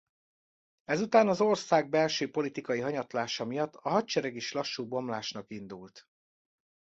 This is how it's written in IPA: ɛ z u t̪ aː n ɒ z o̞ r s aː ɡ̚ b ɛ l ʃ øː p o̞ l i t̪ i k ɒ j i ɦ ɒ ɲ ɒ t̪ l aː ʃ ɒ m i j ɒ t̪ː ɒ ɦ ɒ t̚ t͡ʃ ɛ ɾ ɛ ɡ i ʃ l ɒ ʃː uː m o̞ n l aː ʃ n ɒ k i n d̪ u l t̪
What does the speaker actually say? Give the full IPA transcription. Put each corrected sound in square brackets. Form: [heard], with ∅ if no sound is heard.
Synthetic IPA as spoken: ɛ z u t̪ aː n ɒ z o̞ r s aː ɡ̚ b ɛ l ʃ øː p o̞ l i t̪ i k ɒ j i ɦ ɒ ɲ ɒ t̪ l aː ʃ ɒ m i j ɒ t̪ː ɒ ɦ ɒ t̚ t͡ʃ ɛ ɾ ɛ ɡ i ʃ l ɒ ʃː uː [b] o̞ [m] l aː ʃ n ɒ k i n d̪ u l t̪